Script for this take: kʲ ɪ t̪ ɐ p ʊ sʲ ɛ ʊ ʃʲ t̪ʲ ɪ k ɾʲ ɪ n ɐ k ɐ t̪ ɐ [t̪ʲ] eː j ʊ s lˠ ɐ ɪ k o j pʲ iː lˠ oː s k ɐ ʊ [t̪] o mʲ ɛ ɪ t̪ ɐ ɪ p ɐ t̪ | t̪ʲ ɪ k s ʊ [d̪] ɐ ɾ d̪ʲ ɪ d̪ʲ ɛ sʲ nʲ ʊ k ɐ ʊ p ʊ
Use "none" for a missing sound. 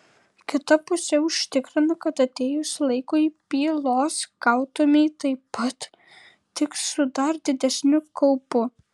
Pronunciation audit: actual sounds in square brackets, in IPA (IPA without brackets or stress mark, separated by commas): t̪ʲ, t̪, d̪